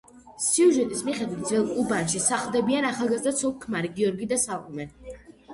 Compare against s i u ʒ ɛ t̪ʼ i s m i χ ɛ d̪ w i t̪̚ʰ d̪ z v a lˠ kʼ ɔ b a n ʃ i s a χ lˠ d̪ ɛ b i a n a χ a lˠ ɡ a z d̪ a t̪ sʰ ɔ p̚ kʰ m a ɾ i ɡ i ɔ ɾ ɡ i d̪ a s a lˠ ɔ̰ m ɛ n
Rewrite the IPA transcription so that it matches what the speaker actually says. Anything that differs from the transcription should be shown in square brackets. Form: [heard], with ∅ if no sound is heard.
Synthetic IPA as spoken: s i u ʒ ɛ t̪ʼ i s m i χ ɛ d̪ w i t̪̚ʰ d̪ z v [ɛ] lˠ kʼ [u] b a n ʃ i s a χ lˠ d̪ ɛ b i a n a χ a lˠ ɡ a z d̪ a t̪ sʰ ɔ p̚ kʰ m a ɾ i ɡ i ɔ ɾ ɡ i d̪ a s a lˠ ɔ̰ m ɛ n